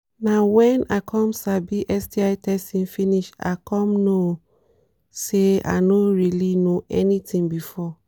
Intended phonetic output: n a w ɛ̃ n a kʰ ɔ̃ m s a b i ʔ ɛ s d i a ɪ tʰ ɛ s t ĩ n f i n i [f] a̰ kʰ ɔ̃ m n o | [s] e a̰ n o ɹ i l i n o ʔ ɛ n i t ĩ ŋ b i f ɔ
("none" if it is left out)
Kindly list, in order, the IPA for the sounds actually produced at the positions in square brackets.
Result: ʃ, s

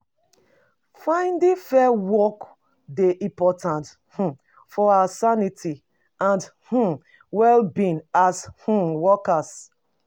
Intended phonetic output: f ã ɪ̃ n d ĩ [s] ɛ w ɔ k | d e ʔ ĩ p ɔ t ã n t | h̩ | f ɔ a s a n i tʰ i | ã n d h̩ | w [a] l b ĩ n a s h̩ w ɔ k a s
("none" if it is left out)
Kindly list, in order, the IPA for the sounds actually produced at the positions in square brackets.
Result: f, ɛ

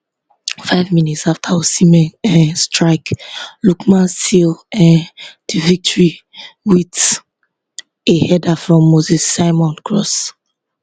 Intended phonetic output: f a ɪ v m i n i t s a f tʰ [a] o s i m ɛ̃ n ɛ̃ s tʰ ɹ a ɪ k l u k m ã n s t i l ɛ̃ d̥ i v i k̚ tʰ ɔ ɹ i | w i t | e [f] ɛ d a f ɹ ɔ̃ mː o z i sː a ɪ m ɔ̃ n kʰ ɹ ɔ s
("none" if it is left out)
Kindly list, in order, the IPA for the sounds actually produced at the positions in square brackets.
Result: a, h

